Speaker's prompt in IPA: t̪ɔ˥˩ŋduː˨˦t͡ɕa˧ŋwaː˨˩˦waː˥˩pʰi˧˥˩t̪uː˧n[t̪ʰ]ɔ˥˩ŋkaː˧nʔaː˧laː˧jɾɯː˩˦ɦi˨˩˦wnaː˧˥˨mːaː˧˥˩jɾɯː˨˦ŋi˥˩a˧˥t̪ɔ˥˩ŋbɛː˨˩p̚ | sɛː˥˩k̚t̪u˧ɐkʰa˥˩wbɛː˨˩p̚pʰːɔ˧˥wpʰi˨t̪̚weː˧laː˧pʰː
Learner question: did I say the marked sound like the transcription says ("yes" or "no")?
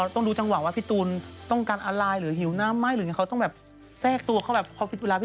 no